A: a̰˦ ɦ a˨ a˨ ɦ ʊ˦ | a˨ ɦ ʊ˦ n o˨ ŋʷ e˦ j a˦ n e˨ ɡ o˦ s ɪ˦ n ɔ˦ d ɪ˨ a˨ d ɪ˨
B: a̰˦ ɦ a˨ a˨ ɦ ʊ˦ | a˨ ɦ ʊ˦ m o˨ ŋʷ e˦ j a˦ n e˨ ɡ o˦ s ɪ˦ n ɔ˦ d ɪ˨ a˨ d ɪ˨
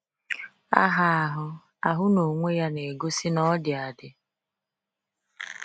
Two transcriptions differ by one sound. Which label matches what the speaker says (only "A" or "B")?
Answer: A